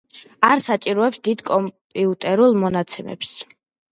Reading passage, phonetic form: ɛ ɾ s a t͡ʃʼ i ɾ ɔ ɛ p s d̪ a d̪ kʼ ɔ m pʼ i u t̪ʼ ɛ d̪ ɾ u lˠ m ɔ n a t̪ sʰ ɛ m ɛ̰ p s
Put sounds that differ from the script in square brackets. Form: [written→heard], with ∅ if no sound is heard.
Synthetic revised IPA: [ɛ→a] ɾ s a t͡ʃʼ i ɾ ɔ ɛ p s d̪ [a→i] d̪ kʼ ɔ m pʼ i u t̪ʼ ɛ [d̪→∅] ɾ u lˠ m ɔ n a t̪ sʰ ɛ m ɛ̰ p s